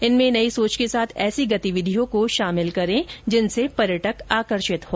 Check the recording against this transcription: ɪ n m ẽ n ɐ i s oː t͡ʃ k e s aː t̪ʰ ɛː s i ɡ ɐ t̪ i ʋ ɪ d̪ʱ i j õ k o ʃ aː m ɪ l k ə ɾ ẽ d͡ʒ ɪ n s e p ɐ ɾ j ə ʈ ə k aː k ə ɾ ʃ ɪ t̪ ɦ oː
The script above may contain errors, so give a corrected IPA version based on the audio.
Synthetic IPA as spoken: ɪ n m ẽ n ɐ i s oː t͡ʃ k e s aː t̪ʰ ɛː s i ɡ ɐ t̪ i ʋ ɪ d̪ʱ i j õ k o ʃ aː m ɪ l k ɐ ɾ ẽ d͡ʒ ɪ n s e p ɐ ɾ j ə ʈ ə k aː k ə ɾ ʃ ɪ t̪ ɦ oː

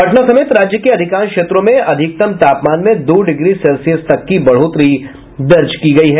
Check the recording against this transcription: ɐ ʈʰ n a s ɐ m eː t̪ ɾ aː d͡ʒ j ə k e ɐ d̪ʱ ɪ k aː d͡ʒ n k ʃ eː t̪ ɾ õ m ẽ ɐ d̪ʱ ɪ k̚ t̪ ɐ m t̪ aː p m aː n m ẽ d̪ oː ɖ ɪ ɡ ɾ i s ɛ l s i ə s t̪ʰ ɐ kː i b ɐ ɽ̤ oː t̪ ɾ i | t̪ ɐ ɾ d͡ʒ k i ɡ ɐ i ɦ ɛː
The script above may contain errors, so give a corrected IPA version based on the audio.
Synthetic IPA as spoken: ɐ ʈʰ n a s ɐ m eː t̪ ɾ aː d͡ʒ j ə k e ɐ d̪ʱ ɪ k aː n k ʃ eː t̪ ɾ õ m ẽ ɐ d̪ʱ ɪ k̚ t̪ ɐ m t̪ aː p m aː n m ẽ d̪ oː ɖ ɪ ɡ ɾ i s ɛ l s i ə s t̪ ɐ kː i b ɐ ɽ̤ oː t̪ ɾ i | d̪ ɐ ɾ d͡ʒ k i ɡ ɐ i ɦ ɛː

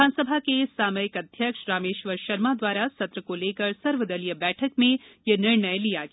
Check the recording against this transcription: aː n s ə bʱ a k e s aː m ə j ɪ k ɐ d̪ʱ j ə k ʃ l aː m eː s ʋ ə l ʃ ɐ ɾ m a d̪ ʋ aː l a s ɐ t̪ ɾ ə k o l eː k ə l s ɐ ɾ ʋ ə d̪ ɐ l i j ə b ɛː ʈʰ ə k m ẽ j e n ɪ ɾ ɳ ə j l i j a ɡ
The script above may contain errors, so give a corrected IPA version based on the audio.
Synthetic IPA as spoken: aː n s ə bʱ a k e s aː m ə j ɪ k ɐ d̪ʱ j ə k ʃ ɾ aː m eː ʃ ʋ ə ɾ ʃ ɐ ɾ m a d̪ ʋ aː ɾ a s ɐ t̪ ɾ ə k o l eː k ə ɾ s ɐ ɾ ʋ ə d̪ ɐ l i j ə b ɛː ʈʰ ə k m ẽ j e n ɪ ɾ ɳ ə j l i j a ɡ

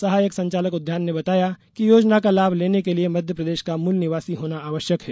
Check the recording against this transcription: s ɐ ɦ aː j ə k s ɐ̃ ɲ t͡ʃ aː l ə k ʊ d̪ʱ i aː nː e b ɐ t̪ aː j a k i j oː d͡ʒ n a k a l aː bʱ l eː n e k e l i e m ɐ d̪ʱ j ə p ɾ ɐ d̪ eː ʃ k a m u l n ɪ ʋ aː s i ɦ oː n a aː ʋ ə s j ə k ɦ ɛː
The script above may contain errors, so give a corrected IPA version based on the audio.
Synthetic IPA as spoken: s ɐ ɦ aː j ə k s ɐ̃ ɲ t͡ʃ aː l ə k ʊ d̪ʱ j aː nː e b ɐ t̪ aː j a k i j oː d͡ʒ n a k a l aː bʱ l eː n e k e l i e m ɐ d̪ʱ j ə p ɾ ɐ d̪ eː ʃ k a m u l n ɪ ʋ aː s i ɦ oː n a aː ʋ ə ʃ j ə k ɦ ɛː

